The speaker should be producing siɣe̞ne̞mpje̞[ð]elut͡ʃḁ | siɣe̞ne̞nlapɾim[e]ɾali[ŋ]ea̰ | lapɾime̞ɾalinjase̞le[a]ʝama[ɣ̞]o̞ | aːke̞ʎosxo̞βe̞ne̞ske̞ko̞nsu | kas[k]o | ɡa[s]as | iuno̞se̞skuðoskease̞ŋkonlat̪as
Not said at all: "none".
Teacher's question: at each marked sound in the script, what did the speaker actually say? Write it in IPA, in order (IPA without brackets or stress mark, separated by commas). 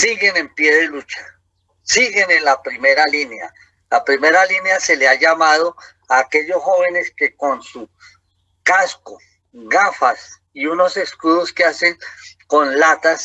ð, e, n, a, ð̞, k, f